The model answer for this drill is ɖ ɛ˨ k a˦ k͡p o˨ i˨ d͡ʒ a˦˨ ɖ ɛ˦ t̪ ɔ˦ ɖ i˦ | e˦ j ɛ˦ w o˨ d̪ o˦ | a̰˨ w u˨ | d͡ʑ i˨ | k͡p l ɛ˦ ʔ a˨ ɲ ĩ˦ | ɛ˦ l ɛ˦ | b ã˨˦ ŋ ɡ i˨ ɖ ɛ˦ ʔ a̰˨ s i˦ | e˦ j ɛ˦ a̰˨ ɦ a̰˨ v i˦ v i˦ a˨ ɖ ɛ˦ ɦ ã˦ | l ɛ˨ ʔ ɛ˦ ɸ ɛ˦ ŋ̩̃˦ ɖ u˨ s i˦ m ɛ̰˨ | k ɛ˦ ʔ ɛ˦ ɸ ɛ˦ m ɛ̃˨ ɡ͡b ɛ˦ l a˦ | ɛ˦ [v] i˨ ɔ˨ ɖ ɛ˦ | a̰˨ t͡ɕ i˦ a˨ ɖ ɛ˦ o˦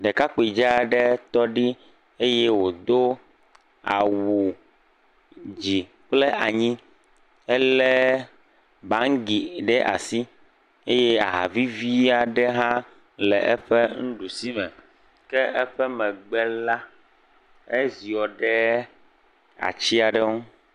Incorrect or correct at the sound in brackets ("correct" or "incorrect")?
incorrect